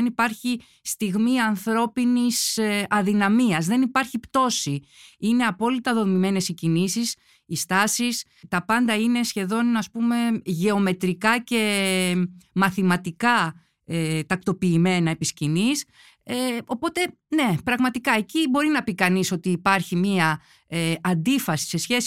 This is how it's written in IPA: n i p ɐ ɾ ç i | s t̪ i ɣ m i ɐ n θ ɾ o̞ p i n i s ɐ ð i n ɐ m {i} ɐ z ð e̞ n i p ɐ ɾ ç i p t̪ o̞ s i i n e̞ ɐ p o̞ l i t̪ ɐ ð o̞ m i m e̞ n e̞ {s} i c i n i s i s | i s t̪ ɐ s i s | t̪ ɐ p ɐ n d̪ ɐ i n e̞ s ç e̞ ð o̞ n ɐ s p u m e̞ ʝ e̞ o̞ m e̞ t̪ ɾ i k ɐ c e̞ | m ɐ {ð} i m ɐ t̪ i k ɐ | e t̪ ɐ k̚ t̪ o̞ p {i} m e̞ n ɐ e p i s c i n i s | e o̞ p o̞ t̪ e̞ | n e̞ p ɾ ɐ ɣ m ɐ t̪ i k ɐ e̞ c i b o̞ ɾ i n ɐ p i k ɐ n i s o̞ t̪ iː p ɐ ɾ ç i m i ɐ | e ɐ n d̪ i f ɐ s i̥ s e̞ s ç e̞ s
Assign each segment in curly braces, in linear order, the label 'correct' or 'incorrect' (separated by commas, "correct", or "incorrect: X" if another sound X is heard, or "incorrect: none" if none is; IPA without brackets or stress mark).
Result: correct, correct, incorrect: θ, incorrect: iː